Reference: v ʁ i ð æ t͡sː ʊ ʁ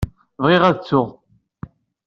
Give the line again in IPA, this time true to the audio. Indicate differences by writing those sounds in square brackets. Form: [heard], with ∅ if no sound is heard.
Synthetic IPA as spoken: v ʁ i [ʁ] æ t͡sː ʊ ʁ